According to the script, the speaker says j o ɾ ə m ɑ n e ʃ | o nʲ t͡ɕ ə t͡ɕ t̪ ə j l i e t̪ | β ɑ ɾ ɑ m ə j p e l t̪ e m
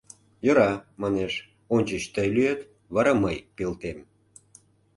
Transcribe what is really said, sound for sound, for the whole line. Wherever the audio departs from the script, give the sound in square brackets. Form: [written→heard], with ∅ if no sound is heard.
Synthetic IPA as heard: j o ɾ [ə→ɑ] m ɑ n e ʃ | o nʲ t͡ɕ ə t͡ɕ t̪ ə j l [i→y] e t̪ | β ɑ ɾ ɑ m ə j p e l t̪ e m